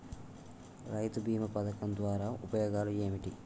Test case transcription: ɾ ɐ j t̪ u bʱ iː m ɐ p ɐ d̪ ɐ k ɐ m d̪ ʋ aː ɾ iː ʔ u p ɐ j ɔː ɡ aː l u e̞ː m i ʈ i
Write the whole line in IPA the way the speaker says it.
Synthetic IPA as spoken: ɾ ɐ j t̪ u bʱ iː m ɐ p ɐ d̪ ɐ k ɐ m d̪ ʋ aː ɾ aː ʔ u p ɐ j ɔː ɡ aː l u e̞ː m i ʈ i